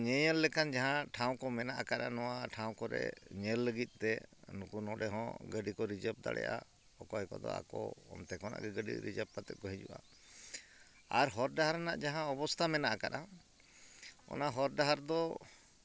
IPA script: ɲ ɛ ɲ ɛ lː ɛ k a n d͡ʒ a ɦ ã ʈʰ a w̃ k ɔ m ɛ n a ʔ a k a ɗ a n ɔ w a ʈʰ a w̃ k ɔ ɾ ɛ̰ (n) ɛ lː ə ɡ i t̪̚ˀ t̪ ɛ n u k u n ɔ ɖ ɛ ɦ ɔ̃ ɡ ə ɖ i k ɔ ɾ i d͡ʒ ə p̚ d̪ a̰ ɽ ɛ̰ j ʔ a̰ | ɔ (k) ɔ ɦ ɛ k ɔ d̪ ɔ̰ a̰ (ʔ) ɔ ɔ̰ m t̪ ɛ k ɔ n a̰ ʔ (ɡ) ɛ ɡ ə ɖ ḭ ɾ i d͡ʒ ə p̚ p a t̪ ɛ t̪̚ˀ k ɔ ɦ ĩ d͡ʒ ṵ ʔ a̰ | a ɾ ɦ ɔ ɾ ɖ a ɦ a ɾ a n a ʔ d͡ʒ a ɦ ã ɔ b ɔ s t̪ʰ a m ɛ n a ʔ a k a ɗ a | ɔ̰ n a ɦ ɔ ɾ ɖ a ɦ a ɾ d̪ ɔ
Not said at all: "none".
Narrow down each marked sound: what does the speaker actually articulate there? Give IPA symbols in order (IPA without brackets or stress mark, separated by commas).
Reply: ɲ, k, k, ɡ